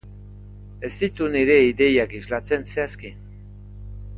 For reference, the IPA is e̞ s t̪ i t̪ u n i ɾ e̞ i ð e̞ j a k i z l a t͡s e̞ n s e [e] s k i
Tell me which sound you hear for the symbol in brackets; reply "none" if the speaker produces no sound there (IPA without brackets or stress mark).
a